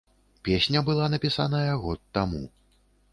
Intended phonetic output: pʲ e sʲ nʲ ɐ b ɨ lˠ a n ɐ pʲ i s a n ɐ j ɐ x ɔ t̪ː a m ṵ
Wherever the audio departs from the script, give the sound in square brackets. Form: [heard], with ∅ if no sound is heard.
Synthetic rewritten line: pʲ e sʲ nʲ ɐ b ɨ lˠ a n ɐ pʲ i s a n ɐ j ɐ [ɣ] ɔ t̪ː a m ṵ